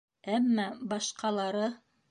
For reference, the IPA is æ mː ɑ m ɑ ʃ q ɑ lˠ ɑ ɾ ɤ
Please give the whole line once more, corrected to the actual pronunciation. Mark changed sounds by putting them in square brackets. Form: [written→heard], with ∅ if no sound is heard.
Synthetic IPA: æ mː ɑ [m→b] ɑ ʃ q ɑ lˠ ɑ ɾ ɤ